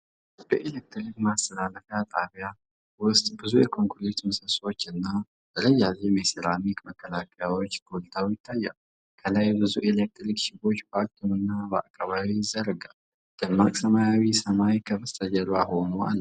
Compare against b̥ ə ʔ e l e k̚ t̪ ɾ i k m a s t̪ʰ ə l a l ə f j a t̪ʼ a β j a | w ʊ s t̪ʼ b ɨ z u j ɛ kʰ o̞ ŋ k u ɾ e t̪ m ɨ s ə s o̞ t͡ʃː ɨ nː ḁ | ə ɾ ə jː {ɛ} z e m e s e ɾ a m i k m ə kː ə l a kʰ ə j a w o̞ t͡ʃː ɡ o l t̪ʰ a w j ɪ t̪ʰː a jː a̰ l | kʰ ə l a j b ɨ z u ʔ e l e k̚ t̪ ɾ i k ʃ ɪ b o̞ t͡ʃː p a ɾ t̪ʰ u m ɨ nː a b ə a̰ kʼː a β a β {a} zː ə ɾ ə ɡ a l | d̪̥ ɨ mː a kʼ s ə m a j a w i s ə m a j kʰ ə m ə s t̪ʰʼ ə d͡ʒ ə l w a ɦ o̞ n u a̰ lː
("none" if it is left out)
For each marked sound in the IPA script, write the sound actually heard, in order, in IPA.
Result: a, i

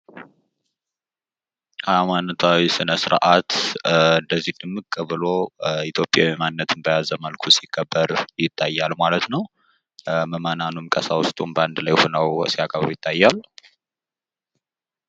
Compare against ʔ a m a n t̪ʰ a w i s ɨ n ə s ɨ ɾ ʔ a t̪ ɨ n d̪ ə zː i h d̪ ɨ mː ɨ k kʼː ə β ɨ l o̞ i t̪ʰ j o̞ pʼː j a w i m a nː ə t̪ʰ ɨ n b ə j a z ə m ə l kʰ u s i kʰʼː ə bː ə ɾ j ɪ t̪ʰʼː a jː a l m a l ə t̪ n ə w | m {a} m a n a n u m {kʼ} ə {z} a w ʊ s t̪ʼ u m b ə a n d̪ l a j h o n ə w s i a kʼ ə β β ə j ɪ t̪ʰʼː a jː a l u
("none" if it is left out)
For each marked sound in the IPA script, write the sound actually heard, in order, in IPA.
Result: ə, kʼ, s

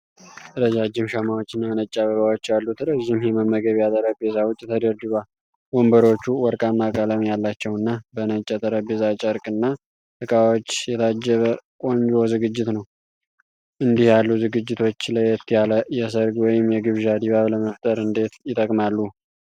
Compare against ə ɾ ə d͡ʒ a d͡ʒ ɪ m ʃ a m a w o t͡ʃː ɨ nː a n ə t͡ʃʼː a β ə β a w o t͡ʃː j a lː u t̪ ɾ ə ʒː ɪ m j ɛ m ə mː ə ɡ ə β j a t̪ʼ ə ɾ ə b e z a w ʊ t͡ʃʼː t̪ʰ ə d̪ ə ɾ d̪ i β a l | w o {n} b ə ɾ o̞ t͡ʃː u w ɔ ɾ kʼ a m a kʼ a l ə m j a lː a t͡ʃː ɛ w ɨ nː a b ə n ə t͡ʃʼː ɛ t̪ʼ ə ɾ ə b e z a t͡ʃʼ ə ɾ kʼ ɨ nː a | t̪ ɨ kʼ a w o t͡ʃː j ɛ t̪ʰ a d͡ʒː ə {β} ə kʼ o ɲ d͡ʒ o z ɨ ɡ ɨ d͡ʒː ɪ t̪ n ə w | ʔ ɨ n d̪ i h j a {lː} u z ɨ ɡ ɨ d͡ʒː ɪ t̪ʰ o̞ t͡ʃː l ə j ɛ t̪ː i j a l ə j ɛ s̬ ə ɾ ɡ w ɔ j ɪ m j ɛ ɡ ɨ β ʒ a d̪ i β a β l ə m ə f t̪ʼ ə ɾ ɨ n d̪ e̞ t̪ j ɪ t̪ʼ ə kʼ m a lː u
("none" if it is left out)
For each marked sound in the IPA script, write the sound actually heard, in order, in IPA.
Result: m, β, lː

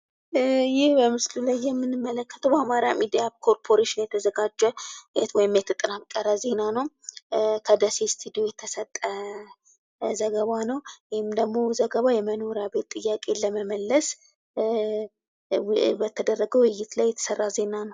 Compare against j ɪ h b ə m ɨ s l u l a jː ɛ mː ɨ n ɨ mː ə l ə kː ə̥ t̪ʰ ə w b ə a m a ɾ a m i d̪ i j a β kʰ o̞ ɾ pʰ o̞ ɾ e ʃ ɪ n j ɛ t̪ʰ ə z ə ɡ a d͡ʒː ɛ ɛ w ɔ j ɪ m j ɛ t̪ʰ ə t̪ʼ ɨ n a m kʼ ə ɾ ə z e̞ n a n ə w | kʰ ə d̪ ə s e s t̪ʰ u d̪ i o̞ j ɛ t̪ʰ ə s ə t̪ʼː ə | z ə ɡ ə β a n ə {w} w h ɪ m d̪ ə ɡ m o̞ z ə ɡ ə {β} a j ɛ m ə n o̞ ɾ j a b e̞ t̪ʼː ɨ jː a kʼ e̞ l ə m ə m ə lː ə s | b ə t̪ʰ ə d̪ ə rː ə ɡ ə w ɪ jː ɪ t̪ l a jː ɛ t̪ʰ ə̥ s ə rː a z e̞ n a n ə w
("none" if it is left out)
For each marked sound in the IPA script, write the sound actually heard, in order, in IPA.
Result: w, β

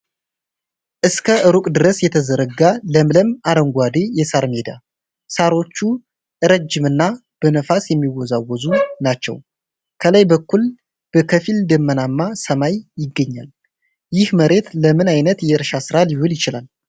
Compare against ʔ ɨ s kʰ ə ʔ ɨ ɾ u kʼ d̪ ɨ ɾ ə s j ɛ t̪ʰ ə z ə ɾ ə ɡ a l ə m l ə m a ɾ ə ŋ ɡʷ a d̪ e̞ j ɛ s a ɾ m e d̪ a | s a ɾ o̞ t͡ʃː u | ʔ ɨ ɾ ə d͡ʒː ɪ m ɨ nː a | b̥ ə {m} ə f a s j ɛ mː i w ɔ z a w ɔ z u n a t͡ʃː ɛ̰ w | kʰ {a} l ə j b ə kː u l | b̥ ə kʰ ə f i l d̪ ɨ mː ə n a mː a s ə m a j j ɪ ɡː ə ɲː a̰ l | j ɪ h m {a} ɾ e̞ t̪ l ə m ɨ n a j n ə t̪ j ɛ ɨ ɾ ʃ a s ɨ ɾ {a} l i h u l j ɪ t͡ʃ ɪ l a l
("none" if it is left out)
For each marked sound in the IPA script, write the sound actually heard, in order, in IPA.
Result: n, ə, ə, a

